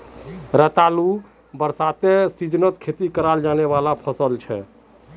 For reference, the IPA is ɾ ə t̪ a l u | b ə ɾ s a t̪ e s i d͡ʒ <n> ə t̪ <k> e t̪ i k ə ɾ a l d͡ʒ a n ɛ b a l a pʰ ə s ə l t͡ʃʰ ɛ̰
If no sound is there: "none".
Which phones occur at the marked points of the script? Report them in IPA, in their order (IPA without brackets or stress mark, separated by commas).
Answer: n, kʰ